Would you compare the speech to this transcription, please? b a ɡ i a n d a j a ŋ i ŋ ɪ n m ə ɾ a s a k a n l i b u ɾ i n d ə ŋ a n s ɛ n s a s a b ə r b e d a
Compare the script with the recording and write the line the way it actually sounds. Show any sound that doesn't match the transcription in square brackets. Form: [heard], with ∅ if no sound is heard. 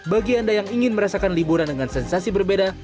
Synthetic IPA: b a ɡ i a n d a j a ŋ i ŋ ɪ n m ə ɾ a s a k a n l i b u ɾ [a] n d ə ŋ a n s ɛ n s a s [i] b ə r b e d a